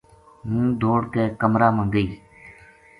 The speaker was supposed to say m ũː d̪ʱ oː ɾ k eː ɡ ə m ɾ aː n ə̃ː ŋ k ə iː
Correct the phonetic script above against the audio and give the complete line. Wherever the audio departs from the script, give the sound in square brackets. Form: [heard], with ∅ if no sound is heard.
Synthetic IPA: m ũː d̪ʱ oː [ɽ] k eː [k] ə m ɾ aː [m] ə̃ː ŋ [ɡ] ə iː